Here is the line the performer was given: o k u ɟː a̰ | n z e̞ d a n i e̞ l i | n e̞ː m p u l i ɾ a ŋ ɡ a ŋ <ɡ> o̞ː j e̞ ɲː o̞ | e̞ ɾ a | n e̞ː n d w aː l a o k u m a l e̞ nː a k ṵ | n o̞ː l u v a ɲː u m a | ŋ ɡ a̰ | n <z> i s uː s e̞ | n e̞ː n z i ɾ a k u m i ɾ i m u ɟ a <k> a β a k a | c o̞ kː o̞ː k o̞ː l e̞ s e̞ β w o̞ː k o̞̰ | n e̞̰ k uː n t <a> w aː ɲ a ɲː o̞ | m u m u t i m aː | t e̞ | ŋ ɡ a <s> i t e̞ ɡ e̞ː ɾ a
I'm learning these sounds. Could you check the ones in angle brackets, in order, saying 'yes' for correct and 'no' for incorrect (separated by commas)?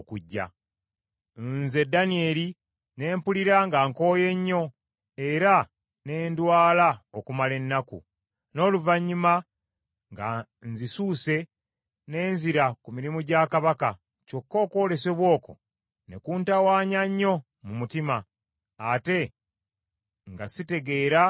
no, yes, yes, yes, yes